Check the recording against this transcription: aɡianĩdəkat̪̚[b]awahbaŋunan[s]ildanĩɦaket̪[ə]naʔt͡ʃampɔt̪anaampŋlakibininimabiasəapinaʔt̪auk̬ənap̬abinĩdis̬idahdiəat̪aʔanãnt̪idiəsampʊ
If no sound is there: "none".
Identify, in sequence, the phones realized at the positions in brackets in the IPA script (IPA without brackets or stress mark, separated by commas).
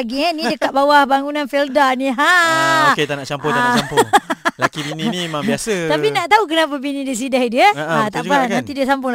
b, f, a